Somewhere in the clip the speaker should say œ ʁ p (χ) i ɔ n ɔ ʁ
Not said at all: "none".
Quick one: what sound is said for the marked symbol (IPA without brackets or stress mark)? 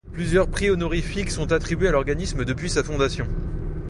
χ